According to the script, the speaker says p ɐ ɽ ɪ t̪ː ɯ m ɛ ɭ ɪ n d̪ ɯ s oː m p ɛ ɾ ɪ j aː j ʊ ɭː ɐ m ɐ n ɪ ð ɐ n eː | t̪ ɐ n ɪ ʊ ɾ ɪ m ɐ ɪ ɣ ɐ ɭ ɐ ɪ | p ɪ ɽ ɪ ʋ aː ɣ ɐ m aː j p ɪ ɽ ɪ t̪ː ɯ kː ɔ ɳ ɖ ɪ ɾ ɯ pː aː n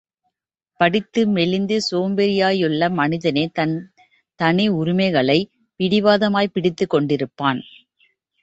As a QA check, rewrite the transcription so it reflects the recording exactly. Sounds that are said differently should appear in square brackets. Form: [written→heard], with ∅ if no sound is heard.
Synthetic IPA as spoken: p ɐ ɽ ɪ t̪ː ɯ m ɛ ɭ ɪ n d̪ ɯ s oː m [p→b] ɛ ɾ ɪ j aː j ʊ ɭː ɐ m ɐ n ɪ ð ɐ n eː | t̪ ɐ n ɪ ʊ ɾ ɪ m ɐ ɪ ɣ ɐ ɭ ɐ ɪ | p ɪ ɽ ɪ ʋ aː [ɣ→ð] ɐ m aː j p ɪ ɽ ɪ t̪ː ɯ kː ɔ ɳ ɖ ɪ ɾ ɯ pː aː n